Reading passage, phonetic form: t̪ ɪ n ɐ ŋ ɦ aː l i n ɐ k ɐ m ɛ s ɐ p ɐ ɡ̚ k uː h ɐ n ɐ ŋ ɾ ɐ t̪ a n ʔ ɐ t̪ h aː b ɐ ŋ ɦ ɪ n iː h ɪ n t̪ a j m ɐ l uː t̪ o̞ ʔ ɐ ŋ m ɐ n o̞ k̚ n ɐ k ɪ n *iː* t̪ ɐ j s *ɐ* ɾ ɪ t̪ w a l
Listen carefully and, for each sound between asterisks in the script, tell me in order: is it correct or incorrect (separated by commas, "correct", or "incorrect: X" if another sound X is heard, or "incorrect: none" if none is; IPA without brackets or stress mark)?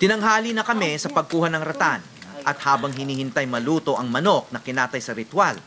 incorrect: aː, correct